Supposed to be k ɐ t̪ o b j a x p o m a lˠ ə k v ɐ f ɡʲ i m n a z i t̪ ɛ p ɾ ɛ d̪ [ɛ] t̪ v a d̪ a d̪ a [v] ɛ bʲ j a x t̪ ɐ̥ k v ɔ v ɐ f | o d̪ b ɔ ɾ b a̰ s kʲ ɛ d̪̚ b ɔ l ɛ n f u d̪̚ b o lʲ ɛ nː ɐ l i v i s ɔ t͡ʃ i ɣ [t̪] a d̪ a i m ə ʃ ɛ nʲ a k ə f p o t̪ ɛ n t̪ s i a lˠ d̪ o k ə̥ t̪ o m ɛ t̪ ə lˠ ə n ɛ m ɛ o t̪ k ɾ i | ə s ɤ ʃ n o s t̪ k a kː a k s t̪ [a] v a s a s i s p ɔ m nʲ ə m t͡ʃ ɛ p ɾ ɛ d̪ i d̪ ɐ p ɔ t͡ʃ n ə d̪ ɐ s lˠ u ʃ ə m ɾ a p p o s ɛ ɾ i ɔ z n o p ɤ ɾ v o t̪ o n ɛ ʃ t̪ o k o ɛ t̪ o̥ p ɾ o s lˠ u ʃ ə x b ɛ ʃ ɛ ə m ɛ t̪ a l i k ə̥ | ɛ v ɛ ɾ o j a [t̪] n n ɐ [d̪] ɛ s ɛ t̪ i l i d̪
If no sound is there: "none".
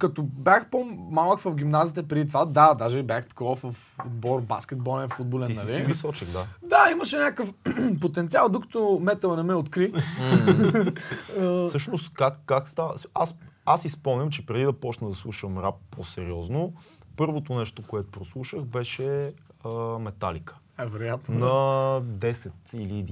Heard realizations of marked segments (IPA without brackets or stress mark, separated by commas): i, ʒ, d̪, a, t̪, d̪